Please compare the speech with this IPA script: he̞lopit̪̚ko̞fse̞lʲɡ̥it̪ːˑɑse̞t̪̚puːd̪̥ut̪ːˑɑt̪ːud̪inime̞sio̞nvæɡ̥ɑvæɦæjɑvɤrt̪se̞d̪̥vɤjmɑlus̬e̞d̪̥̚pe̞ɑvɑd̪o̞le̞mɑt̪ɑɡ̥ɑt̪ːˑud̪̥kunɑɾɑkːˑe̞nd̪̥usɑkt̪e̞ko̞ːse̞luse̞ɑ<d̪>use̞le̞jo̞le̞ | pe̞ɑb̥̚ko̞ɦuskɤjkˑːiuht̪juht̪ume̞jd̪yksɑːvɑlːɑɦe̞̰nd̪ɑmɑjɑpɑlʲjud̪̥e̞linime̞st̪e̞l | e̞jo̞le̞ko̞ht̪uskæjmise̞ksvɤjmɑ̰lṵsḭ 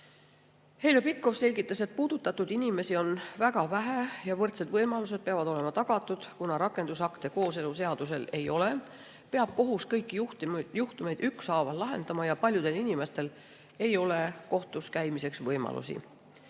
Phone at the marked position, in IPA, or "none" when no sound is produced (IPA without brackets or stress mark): d̪